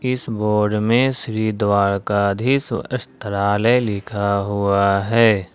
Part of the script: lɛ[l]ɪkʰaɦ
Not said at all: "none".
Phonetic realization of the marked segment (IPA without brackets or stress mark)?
l